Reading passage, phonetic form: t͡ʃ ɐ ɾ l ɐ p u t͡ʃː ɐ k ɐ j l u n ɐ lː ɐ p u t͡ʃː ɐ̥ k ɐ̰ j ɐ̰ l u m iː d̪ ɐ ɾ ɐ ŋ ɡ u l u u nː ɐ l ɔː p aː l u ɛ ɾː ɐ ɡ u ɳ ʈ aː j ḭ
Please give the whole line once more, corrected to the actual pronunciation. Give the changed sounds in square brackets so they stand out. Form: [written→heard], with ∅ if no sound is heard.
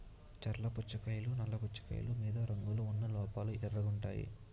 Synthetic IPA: t͡ʃ ɐ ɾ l ɐ p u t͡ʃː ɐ k ɐ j l u n ɐ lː ɐ p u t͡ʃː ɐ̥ k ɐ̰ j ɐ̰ l u m iː d̪ ɐ ɾ ɐ ŋ ɡ u l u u nː ɐ l ɔː p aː l u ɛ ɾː ɐ ɡ u ɳ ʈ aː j ḭ